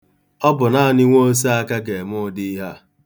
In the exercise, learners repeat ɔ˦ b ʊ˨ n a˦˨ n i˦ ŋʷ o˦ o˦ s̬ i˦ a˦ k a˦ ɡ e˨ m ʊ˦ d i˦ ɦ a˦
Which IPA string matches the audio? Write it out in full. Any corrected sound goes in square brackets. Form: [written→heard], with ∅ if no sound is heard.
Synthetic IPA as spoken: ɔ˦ b ʊ˨ n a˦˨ n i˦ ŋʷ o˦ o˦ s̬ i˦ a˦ k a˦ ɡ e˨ m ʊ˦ d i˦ ɦ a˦

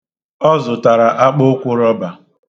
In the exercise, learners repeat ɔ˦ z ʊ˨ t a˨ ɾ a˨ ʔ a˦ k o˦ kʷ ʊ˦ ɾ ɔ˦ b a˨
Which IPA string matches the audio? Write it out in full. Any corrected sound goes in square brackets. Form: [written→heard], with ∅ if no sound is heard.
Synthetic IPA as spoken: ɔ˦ z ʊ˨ t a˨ ɾ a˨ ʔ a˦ [k→k͡p] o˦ kʷ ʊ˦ ɾ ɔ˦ b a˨

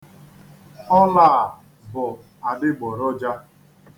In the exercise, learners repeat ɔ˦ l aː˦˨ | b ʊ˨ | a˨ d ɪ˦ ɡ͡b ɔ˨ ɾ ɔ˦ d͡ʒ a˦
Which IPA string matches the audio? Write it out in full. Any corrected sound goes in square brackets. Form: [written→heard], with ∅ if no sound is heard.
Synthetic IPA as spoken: ɔ˦ l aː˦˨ | b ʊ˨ | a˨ d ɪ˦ ɡ͡b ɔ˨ ɾ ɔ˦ d͡ʒ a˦

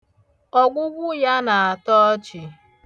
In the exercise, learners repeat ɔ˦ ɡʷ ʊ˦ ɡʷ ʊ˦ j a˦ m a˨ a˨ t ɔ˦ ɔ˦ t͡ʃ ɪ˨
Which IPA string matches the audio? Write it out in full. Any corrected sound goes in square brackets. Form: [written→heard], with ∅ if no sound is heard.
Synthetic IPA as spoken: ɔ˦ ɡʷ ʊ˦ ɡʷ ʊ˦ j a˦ [m→n] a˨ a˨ t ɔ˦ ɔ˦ t͡ʃ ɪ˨

